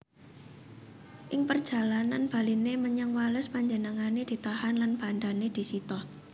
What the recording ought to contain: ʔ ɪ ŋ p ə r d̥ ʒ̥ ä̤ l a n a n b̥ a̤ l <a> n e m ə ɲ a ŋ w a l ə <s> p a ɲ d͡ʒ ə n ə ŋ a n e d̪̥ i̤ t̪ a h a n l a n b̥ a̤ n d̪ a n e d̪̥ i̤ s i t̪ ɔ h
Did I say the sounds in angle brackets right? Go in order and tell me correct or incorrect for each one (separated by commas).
incorrect, correct